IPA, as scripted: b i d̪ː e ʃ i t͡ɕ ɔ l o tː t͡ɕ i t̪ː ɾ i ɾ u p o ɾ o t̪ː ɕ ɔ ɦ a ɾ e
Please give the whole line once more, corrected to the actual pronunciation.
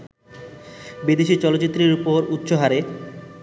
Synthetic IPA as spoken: b i d̪ e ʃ i t͡ɕ ɔ l o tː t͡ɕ i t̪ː ɾ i ɾ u p o ɾ u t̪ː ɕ o ɦ a ɾ e